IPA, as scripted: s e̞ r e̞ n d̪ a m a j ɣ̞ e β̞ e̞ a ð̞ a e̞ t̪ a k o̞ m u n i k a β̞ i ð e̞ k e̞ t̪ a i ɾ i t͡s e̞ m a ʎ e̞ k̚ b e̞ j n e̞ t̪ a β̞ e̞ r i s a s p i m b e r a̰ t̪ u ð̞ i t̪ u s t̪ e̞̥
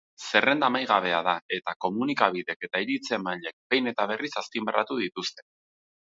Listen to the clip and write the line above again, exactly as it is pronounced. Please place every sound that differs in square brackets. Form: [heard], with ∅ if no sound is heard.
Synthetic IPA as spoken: s e̞ r e̞ n d̪ a m a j ɣ̞ [a] β̞ e̞ a ð̞ a e̞ t̪ a k o̞ m u n i k a β̞ i ð e̞ k e̞ t̪ a i ɾ i t͡s e̞ m a ʎ e̞ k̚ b e̞ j n e̞ t̪ a β̞ e̞ r i s a s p i m b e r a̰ t̪ u ð̞ i t̪ u s t̪ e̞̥